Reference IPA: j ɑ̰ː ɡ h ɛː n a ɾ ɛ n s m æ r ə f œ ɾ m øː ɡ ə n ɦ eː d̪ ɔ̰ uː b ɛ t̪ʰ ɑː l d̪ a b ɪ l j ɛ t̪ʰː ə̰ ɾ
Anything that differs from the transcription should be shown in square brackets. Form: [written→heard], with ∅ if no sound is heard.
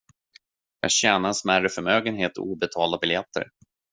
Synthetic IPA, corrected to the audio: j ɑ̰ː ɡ [h→ɕ] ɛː n a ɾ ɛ n s m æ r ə f œ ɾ m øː ɡ ə n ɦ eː [d̪→t̪] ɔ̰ uː b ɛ t̪ʰ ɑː l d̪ a b ɪ l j ɛ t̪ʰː ə̰ ɾ